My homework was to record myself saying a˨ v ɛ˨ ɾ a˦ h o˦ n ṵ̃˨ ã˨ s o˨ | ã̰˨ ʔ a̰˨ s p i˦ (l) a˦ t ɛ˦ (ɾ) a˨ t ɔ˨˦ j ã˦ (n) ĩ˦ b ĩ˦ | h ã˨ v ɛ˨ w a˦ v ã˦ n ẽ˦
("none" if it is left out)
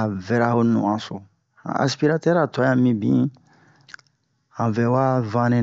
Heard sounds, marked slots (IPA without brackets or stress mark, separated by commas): ɾ, ɾ, m